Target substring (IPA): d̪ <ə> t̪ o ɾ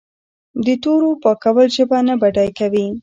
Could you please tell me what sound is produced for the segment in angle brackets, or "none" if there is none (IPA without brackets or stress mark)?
ə